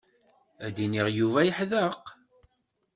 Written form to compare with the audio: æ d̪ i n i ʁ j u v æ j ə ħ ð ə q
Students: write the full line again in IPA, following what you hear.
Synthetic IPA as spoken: æ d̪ i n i ʁ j u v æ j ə ħ ð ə q

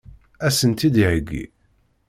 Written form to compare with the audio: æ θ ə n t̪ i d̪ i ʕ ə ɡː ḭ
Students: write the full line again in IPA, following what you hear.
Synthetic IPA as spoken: æ s ə n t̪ i d̪ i ʕ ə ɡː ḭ

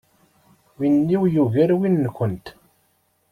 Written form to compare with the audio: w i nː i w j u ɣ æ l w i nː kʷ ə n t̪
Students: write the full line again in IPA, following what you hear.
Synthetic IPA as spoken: w i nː i w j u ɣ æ ɾ w i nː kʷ ə n t̪

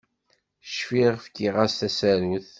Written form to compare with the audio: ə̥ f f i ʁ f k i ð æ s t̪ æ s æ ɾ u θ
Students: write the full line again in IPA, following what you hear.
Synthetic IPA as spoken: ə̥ ʃ f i ʁ f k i ʁ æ s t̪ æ s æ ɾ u θ

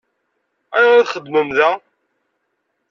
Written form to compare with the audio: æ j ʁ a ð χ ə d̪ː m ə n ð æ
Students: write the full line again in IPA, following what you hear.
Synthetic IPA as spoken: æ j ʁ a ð χ ə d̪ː m ə m ð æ

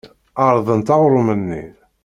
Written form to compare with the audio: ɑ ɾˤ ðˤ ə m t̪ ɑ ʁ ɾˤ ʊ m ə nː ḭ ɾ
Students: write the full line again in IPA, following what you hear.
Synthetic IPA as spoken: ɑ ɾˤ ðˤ ə n t̪ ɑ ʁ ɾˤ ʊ m ə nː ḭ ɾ

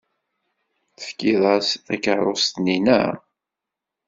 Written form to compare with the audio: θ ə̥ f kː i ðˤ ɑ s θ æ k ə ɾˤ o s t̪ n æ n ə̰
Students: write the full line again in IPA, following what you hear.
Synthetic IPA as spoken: θ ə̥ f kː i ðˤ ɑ s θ æ k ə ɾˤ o s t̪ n i n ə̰

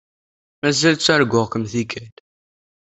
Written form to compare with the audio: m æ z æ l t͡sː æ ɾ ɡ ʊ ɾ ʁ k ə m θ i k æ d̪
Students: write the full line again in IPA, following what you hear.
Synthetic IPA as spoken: m æ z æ l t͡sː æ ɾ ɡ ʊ ʁ k ə m θ i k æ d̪

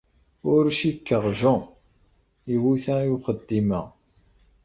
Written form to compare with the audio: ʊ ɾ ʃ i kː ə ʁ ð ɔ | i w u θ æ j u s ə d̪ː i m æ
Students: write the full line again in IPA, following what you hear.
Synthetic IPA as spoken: ʊ ɾ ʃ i kː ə ʁ ʒ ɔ | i w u θ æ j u χ ə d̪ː i m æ

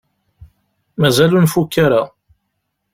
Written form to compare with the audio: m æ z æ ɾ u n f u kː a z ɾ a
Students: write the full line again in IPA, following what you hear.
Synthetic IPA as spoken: m æ z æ l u n f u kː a ɾ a

